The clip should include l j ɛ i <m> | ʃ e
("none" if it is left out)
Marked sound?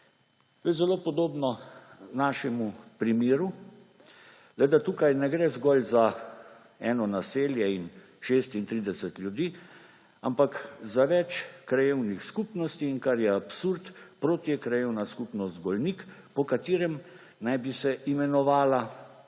n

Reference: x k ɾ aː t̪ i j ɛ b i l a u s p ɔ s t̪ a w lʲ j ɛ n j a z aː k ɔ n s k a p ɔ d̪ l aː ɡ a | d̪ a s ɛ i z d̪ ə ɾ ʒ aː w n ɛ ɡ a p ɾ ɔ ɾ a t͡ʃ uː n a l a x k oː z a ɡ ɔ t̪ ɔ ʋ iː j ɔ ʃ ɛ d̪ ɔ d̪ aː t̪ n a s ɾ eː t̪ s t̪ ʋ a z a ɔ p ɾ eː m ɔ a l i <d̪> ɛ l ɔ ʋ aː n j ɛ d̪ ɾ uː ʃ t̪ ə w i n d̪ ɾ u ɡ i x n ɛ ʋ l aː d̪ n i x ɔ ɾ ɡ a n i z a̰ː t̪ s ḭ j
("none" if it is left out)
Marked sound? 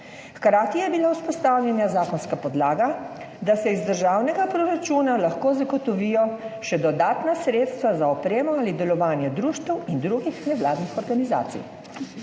d̪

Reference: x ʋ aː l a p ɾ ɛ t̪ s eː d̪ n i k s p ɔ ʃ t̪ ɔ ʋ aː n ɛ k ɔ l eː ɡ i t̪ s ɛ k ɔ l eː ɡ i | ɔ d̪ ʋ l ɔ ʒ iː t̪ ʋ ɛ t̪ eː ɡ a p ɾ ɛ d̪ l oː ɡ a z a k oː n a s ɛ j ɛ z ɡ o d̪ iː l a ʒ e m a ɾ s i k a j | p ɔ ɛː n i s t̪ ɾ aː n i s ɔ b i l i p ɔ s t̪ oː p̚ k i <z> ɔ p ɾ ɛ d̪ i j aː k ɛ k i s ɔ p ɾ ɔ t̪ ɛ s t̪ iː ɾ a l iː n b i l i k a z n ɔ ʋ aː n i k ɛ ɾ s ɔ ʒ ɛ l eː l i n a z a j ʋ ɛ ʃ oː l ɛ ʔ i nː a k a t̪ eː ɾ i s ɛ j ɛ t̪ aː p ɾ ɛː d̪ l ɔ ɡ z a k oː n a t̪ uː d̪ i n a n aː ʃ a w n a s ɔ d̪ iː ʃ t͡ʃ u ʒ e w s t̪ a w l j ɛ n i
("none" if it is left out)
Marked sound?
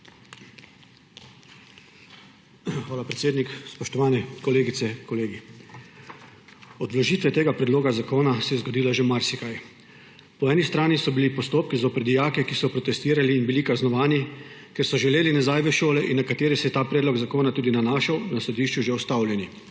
z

